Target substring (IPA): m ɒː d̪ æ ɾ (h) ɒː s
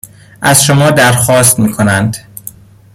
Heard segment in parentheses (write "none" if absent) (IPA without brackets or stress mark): x